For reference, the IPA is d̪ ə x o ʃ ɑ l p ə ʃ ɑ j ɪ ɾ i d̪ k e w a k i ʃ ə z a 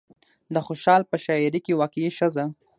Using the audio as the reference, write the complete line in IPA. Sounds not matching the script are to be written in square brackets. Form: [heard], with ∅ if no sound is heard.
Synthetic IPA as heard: d̪ ə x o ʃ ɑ l p ə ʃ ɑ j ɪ ɾ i [∅] k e w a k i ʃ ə z a